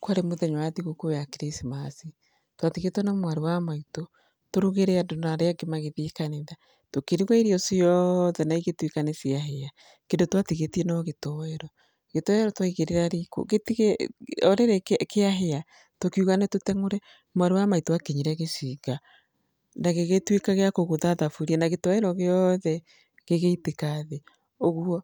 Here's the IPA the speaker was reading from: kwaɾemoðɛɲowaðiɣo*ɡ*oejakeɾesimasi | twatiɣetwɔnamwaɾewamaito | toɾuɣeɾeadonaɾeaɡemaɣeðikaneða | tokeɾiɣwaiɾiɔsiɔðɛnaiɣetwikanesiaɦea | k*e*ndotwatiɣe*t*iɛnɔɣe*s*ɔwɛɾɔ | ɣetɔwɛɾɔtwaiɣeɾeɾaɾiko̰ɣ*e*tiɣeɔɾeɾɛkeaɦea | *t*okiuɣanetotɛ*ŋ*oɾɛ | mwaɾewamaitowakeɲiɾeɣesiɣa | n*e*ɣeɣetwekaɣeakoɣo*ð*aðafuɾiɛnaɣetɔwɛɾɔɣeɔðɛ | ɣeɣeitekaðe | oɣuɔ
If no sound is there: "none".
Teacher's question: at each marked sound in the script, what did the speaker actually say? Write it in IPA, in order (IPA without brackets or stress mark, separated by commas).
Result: k, e, t, t, e, t, ŋ, a, ð